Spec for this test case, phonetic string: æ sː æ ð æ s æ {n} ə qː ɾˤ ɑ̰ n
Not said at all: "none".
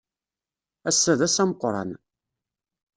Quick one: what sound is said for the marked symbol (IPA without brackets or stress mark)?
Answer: m